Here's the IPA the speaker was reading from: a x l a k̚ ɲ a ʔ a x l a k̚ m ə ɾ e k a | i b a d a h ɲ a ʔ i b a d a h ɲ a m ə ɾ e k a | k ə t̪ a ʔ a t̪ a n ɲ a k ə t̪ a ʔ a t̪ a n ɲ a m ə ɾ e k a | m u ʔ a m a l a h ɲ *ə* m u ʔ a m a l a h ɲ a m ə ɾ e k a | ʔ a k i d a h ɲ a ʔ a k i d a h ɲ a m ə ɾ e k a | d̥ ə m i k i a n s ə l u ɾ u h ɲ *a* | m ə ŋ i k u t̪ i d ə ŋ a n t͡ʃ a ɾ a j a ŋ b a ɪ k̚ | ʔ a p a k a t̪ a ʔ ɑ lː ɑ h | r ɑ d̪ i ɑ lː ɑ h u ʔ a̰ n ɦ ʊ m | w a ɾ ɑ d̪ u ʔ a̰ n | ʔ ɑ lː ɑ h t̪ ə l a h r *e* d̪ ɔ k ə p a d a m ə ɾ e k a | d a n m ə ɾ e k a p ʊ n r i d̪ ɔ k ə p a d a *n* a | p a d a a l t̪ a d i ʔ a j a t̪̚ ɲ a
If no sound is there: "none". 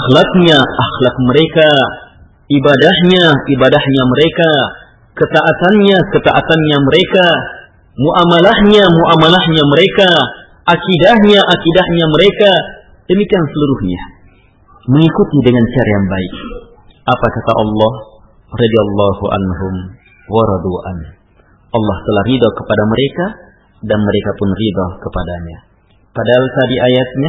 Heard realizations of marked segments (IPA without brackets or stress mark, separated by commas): a, a, i, ɲ